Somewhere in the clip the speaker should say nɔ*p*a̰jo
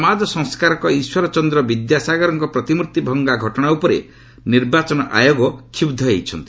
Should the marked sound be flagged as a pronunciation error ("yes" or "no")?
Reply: yes